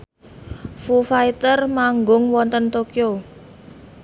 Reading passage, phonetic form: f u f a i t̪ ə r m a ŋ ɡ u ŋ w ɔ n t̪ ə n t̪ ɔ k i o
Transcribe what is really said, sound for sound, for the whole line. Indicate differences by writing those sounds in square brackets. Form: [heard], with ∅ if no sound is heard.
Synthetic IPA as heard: f u f a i t̪ ə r m a ŋ ɡ [ʊ] ŋ w ɔ n t̪ ə n t̪ [o] k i o